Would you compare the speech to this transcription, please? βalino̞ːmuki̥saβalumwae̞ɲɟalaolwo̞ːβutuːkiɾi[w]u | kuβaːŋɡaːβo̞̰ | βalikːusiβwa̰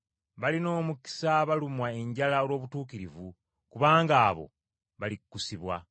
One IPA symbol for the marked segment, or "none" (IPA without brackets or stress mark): v